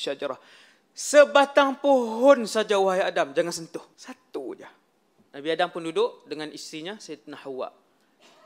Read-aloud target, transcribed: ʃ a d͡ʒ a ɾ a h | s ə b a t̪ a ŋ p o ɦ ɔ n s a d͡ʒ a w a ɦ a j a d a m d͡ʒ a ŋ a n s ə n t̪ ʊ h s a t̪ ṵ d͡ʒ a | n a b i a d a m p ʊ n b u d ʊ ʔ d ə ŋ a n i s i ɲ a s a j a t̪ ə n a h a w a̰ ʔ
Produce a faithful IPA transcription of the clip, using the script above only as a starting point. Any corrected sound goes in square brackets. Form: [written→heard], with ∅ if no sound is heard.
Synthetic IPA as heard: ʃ a d͡ʒ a ɾ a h | s ə b a t̪ a ŋ p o ɦ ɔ n s a d͡ʒ a w a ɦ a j a d a m d͡ʒ a ŋ a n s ə n t̪ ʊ h s a t̪ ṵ d͡ʒ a | n a b i a d a m p ʊ n [b→d] u d ʊ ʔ d ə ŋ a n i s i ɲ a s a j a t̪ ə n a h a w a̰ ʔ